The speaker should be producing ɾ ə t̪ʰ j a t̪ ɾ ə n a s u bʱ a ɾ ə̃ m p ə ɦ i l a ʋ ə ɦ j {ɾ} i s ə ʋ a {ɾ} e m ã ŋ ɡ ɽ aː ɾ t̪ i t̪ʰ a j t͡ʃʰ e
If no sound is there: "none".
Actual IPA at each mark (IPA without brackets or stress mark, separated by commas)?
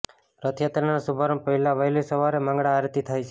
l, ɾ